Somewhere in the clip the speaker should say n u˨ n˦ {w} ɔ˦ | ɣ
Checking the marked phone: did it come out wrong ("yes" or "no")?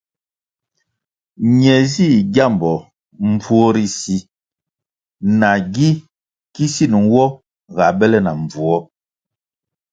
no